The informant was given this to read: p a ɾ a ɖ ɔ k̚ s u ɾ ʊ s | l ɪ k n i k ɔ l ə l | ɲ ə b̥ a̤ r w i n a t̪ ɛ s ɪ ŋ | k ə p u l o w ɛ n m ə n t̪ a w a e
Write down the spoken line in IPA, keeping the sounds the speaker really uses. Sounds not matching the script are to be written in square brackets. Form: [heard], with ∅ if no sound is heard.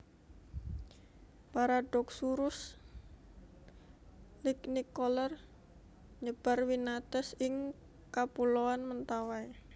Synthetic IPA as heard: p a ɾ a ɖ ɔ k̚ s u ɾ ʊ s | l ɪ k n i k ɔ l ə [r] | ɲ ə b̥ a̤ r w i n a t̪ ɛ s ɪ ŋ | k [a] p u l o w [a] n m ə n t̪ a w a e